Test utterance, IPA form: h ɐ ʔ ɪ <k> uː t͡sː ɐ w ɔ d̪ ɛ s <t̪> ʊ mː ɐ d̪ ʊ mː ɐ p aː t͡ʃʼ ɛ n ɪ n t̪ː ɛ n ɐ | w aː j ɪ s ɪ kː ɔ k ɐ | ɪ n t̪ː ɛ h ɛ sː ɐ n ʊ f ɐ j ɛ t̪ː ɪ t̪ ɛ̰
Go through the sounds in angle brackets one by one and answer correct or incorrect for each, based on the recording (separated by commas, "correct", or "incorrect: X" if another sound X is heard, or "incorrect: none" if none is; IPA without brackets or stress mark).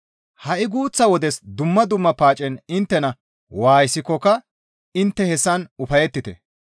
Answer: incorrect: ɡ, incorrect: d̪